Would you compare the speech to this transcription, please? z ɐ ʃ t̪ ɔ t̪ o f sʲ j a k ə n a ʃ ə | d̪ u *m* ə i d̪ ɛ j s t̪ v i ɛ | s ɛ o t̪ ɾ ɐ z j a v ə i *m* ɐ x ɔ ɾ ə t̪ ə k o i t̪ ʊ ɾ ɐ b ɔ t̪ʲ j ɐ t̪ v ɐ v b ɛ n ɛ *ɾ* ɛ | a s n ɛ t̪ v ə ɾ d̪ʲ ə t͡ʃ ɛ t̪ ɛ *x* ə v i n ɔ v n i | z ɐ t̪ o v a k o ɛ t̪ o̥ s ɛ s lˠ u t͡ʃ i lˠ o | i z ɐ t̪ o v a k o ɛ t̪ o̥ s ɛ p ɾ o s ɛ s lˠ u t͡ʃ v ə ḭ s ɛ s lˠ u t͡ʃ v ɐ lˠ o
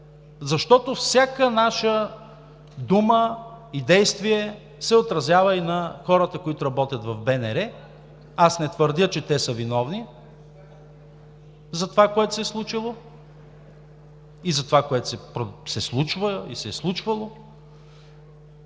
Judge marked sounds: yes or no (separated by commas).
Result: yes, no, yes, no